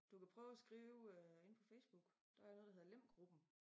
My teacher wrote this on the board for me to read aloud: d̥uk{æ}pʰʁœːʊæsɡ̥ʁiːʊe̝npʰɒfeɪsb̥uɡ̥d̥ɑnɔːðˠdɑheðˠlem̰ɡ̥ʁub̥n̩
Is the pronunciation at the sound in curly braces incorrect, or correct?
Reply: correct